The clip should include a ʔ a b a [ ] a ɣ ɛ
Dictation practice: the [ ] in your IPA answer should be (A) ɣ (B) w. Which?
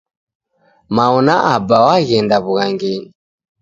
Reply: B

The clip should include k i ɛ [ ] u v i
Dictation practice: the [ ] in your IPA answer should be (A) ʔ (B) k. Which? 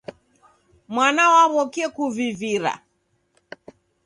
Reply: B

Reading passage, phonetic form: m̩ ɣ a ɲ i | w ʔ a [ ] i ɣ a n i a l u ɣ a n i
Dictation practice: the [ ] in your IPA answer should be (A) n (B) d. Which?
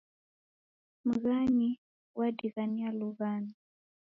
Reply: B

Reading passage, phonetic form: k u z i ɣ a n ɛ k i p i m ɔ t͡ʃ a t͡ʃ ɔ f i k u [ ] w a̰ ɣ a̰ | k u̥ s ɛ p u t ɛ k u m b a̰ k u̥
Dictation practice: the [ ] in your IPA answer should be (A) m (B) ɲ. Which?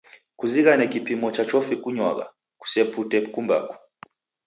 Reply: B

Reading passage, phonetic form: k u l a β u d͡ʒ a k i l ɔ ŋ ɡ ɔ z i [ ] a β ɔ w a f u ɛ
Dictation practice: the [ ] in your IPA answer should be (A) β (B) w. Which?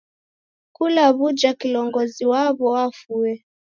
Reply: B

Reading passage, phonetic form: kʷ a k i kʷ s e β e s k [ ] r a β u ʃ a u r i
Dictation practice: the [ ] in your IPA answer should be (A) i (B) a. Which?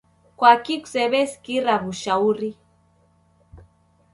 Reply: A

